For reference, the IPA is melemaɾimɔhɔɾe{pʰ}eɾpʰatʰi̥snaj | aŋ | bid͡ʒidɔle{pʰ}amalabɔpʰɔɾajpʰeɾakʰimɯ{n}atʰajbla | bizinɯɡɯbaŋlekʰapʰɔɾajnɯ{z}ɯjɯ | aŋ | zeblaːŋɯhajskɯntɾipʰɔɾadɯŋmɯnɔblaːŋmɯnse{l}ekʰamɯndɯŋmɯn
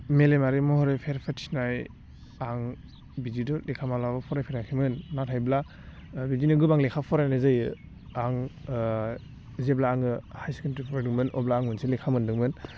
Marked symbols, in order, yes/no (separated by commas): yes, no, no, yes, yes